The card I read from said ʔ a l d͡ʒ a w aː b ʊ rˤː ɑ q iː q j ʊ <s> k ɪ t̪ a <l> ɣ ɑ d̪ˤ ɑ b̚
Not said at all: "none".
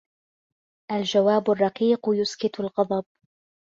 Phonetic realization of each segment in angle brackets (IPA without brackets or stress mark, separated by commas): s, l